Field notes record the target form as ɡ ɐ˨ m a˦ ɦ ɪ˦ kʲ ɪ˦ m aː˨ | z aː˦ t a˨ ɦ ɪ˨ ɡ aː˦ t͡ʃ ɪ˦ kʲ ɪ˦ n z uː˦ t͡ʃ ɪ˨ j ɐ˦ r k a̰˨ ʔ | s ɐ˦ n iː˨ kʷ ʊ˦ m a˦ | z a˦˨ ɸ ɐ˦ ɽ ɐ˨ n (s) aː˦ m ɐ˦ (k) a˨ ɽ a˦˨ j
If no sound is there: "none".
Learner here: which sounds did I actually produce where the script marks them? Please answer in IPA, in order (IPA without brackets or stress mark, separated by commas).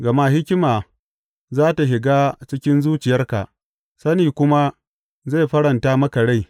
t, k